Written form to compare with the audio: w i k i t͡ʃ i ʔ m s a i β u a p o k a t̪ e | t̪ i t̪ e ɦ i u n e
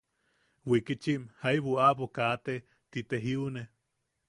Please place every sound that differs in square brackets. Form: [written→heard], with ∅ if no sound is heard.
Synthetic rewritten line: w i k i t͡ʃ i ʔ m [s→h] a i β u a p o k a t̪ e | t̪ i t̪ e ɦ i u n e